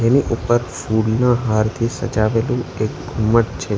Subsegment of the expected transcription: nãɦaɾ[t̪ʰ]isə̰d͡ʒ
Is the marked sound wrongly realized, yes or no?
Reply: no